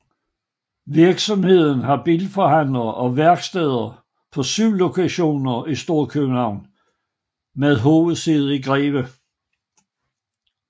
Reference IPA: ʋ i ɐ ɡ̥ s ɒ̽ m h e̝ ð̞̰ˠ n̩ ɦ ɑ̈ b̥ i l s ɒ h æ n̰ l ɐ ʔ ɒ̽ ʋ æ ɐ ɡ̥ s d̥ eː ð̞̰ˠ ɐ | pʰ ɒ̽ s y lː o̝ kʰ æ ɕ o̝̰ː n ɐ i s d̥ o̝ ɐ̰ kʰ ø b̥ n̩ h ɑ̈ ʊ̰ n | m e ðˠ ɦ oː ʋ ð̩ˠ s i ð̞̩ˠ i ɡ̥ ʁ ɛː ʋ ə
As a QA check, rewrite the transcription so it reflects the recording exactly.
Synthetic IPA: ʋ i ɐ ɡ̥ s ɒ̽ m h e̝ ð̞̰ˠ n̩ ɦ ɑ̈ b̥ i l f ɒ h æ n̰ l ɐ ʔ ɒ̽ ʋ æ ɐ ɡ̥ s d̥ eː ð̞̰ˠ ɐ | pʰ ɒ̽ s y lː o̝ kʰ æ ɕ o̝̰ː n ɐ i s d̥ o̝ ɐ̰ kʰ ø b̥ n̩ h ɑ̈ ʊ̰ n | m e ðˠ ɦ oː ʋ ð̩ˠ s i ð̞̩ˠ i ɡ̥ ʁ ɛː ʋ ə